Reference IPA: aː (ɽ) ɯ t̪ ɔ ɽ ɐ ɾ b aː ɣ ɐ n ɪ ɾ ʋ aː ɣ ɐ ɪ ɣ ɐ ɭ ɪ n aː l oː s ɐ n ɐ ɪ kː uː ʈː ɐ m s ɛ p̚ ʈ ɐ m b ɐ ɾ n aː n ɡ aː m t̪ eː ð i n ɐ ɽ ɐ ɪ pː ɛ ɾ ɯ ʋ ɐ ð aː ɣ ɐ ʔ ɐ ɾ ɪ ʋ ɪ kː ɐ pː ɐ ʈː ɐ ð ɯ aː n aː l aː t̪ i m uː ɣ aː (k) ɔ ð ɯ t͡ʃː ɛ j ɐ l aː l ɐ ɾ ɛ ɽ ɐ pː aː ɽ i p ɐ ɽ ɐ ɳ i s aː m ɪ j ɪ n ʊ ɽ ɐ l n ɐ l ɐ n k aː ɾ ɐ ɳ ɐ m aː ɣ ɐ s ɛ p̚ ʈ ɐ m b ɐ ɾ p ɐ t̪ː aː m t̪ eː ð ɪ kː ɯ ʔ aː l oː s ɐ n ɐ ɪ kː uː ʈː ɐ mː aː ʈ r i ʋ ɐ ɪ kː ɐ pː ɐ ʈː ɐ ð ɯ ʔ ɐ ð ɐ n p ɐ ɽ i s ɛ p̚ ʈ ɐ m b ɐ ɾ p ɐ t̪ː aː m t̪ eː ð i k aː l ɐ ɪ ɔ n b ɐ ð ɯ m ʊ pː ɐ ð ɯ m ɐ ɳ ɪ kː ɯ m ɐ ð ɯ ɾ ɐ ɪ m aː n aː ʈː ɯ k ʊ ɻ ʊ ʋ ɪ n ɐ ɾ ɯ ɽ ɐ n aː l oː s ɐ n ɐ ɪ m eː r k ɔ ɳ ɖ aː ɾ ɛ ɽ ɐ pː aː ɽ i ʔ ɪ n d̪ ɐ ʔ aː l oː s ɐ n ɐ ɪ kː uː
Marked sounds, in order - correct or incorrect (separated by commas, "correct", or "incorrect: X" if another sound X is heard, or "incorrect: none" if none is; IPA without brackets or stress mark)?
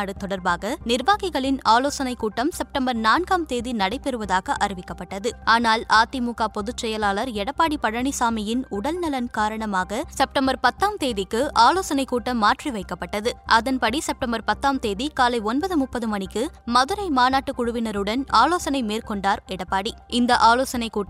correct, incorrect: p